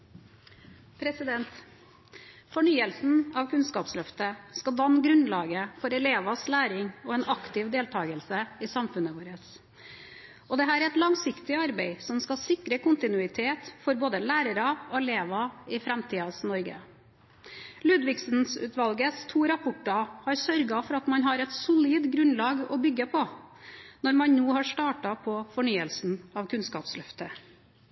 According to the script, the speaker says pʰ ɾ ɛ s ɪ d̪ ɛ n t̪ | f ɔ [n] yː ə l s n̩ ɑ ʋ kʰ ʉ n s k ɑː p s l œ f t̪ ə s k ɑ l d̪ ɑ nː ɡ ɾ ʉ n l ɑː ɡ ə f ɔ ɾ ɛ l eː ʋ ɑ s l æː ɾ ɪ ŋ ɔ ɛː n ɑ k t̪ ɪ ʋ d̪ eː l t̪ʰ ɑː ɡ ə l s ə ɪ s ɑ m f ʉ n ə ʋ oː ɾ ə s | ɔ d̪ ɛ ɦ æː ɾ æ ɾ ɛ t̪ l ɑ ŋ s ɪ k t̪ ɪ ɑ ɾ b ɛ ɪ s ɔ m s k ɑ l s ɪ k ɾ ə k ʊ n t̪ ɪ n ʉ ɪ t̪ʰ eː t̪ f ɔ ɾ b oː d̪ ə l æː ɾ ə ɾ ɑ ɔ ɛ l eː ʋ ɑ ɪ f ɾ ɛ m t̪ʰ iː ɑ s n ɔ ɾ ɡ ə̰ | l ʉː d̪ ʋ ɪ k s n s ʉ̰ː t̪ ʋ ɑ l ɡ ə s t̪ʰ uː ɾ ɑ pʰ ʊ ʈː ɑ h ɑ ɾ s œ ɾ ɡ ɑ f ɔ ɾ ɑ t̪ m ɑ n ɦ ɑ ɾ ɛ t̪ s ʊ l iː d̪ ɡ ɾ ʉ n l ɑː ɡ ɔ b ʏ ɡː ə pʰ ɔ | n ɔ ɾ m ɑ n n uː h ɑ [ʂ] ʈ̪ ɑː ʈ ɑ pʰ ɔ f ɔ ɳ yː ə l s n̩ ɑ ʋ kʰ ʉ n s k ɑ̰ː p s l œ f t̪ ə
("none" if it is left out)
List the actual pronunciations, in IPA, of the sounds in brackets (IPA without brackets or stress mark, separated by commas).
ɳ, ʂ